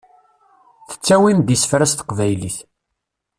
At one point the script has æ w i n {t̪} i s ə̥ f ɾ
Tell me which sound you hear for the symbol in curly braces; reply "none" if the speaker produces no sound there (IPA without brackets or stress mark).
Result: d̪